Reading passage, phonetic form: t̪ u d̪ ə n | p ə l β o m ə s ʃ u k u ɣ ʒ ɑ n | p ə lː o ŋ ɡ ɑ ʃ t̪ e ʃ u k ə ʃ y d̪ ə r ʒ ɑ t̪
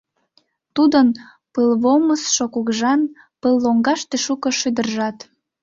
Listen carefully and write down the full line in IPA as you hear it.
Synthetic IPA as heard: t̪ u d̪ ə n | p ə l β o m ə s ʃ o k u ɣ ʒ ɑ n | p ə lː o ŋ ɡ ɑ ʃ t̪ e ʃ u k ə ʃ y d̪ ə r ʒ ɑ t̪